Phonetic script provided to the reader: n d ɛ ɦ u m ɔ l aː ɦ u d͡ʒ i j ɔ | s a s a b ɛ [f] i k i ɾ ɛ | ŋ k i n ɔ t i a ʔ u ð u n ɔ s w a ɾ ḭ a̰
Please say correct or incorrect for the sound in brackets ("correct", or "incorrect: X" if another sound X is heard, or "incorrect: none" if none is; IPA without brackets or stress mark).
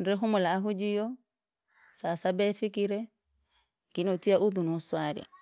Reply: correct